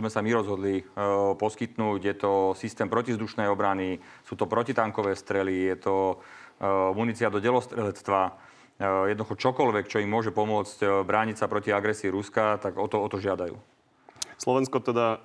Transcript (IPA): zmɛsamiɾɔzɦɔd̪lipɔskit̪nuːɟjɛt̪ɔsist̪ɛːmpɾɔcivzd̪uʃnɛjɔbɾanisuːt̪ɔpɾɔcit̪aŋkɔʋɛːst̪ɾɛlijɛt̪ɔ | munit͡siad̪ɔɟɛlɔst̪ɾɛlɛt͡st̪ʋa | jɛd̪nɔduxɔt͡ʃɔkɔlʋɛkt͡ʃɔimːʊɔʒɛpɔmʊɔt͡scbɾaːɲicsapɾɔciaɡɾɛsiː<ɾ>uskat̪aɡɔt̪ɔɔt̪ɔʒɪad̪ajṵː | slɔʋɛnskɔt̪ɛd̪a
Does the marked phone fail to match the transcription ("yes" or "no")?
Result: no